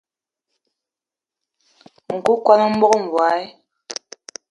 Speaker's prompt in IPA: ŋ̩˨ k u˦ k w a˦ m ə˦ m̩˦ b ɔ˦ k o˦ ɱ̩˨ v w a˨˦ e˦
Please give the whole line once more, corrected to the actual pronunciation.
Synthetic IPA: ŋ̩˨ k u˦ k w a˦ n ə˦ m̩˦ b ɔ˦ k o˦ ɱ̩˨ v w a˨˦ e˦